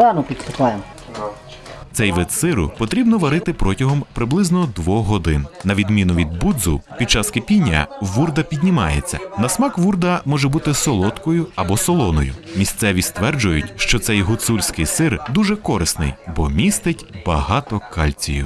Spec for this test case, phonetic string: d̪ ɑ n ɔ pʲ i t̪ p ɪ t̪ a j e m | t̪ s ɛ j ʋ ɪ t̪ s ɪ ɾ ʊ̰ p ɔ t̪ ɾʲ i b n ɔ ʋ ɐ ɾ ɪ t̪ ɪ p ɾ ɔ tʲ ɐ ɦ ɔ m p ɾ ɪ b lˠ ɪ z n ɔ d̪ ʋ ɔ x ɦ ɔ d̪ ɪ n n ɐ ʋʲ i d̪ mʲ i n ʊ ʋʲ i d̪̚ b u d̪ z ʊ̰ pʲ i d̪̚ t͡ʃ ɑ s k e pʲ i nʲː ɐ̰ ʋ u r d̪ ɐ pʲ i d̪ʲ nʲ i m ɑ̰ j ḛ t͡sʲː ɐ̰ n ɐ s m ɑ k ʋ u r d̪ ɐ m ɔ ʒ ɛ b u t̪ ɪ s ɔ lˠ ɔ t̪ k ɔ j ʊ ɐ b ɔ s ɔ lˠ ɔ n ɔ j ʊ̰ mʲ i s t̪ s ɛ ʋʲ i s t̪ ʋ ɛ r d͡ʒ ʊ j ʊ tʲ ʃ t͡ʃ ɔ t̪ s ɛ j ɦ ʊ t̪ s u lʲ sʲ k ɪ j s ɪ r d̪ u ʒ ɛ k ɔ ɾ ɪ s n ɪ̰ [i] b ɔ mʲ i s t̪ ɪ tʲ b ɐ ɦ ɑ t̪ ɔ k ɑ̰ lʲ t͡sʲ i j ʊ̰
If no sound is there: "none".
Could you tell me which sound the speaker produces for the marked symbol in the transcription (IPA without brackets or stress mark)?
j